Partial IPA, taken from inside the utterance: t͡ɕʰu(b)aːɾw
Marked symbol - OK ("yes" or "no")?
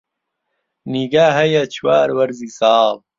no